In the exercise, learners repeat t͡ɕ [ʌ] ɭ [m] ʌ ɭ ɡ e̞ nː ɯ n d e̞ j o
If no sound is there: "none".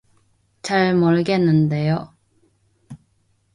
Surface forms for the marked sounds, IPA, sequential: a, m

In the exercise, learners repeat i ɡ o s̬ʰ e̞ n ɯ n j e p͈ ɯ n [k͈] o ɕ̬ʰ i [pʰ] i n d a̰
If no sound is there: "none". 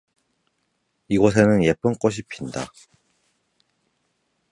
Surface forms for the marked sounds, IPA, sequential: k͈, pʰ

